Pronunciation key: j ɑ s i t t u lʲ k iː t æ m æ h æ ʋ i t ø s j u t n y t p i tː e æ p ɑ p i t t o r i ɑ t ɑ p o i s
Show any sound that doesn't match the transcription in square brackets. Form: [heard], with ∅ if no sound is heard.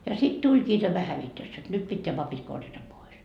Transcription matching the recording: j ɑ s i t t u lʲ k iː t æ m æ h æ ʋ i t ø s j [o] t n y t p i tː e æ p ɑ p i t [k] o r [j] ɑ t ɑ p o i s